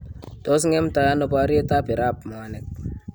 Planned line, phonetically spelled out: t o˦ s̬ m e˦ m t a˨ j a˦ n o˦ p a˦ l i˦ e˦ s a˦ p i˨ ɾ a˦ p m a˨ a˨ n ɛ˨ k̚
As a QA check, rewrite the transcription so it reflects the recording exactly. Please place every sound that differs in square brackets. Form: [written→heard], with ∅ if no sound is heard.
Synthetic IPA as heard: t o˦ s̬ [m→ŋ] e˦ m t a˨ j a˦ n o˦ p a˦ [l→ɾ] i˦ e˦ [s→t] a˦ p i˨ ɾ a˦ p m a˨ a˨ n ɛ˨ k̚